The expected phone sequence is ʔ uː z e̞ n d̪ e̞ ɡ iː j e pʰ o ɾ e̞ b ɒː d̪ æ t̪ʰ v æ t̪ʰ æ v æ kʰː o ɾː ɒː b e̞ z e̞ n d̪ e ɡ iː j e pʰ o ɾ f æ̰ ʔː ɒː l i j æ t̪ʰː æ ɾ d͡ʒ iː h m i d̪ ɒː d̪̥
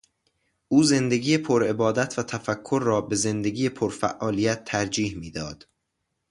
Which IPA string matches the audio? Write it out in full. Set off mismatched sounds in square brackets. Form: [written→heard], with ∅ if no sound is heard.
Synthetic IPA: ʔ uː z e̞ n d̪ e̞ ɡ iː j e pʰ o ɾ e̞ b ɒː d̪ æ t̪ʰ v æ t̪ʰ æ [v→f] æ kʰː o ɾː ɒː b e̞ z e̞ n d̪ e ɡ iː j e pʰ o ɾ f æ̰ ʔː ɒː l i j æ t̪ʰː æ ɾ d͡ʒ iː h m [i→iː] d̪ ɒː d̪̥